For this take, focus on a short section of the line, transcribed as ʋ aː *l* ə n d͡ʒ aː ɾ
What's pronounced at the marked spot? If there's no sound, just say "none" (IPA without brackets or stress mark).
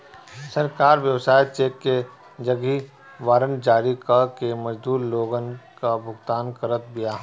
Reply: ɾ